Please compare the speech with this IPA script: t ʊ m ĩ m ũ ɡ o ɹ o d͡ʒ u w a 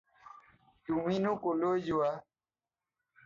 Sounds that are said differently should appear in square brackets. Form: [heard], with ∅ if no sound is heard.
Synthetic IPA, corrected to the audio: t [u] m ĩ [n] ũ [k] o [l] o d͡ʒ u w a

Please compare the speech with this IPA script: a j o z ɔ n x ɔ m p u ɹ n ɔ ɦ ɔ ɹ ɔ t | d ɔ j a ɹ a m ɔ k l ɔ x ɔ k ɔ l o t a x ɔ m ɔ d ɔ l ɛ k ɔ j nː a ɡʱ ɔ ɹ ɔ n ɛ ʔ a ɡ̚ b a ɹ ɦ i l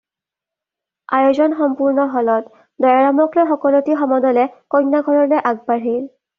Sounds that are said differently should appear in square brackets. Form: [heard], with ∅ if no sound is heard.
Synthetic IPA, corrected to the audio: a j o z ɔ n x ɔ m p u ɹ n ɔ ɦ ɔ [l] ɔ t | d ɔ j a ɹ a m ɔ k l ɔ x ɔ k ɔ l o t [i] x ɔ m ɔ d ɔ l ɛ k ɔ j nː a ɡʱ ɔ ɹ ɔ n ɛ ʔ a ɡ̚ b a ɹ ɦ i l

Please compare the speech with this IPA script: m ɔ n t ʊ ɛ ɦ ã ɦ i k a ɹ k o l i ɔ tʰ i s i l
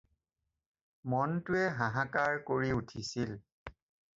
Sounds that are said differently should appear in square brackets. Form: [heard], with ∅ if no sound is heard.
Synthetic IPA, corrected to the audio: m ɔ n t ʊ ɛ ɦ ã ɦ [a] k a ɹ k o [ɹ] i [u] tʰ i s i l

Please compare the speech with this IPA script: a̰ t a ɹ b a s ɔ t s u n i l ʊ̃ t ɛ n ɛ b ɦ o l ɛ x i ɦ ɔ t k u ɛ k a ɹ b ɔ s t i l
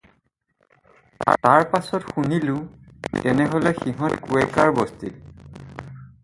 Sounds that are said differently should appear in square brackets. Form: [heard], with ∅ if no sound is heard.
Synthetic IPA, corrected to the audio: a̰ t a ɹ [p] a s ɔ t [x] u n i l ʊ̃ t ɛ n ɛ [∅] ɦ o l ɛ x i ɦ ɔ t k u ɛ k a ɹ b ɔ s t i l

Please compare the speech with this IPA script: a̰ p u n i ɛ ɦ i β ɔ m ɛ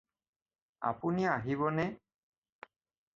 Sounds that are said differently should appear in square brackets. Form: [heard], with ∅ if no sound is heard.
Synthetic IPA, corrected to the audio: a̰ p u n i [a] ɦ i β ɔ [n] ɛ

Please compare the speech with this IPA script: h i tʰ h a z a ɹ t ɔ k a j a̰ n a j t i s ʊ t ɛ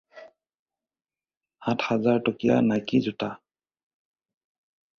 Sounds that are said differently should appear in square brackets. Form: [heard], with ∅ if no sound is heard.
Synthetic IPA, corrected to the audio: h [a] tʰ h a z a ɹ t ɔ k [i] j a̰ n a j [k] i [z] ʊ t [a]

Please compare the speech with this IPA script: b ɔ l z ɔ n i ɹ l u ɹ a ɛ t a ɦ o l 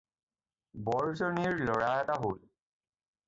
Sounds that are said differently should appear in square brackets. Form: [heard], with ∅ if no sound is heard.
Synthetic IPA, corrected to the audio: b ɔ [ɹ] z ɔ n i ɹ l [ɔ] ɹ a ɛ t a ɦ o l

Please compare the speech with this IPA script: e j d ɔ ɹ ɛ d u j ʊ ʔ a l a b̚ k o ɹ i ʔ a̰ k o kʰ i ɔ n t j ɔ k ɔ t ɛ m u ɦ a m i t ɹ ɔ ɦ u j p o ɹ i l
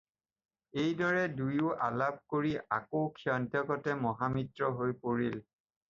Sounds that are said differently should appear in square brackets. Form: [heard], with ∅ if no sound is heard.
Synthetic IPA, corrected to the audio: e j d ɔ ɹ ɛ d u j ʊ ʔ a l a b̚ k o ɹ i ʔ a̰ k o kʰ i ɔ n t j ɔ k ɔ t ɛ m [ɔ] ɦ a m i t ɹ ɔ ɦ [o] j p o ɹ i l

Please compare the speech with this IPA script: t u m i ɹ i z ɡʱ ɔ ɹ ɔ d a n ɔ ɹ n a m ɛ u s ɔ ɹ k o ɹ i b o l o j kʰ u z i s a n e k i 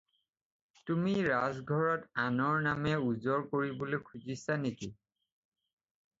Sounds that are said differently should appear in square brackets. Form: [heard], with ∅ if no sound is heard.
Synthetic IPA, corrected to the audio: t u m i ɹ [a] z ɡʱ ɔ ɹ ɔ [t] a n ɔ ɹ n a m ɛ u [z] ɔ ɹ k o ɹ i b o l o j kʰ u z i s a n e k i

